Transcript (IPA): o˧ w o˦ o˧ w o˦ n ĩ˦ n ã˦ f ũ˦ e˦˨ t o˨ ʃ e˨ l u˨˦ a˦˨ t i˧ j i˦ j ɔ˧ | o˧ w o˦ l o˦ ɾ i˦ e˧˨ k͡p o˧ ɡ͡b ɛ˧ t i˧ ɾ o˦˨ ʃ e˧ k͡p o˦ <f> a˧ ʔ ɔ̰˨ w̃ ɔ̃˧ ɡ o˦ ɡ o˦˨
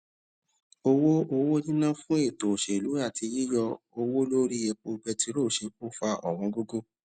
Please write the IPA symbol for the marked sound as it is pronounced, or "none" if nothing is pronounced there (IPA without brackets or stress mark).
f